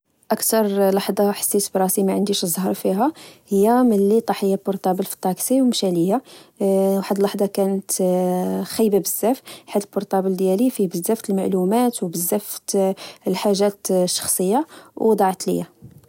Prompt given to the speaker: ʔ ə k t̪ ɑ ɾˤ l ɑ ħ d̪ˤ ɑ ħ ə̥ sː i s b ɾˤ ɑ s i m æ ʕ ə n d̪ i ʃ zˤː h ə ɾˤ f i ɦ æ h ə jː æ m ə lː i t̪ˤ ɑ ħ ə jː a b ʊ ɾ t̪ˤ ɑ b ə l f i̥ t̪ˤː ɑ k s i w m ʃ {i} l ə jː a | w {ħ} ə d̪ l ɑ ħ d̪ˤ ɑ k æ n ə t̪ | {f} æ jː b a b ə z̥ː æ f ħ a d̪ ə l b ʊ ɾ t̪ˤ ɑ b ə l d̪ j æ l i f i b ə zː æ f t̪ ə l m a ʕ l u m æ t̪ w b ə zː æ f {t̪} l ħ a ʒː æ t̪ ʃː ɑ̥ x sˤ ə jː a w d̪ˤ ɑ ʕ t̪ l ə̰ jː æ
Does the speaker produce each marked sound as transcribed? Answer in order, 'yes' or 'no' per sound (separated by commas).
no, yes, no, yes